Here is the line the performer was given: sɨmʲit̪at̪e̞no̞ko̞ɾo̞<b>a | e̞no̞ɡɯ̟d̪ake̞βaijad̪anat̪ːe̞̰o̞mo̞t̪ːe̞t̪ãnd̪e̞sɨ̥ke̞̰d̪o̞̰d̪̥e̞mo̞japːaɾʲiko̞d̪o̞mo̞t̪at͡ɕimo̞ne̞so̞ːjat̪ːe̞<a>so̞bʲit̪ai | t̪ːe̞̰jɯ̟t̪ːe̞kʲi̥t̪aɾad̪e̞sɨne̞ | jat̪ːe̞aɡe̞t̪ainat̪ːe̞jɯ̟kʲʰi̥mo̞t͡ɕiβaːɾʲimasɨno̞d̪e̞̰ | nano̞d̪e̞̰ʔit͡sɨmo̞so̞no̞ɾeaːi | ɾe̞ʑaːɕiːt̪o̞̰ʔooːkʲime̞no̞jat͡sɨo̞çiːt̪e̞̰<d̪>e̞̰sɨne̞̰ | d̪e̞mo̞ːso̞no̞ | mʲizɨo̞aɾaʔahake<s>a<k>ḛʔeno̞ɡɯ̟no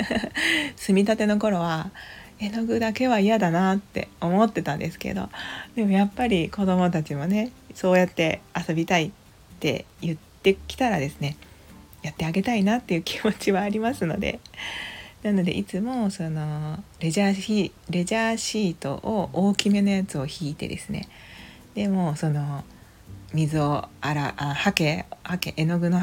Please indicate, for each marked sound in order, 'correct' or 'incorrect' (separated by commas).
incorrect, correct, correct, incorrect, correct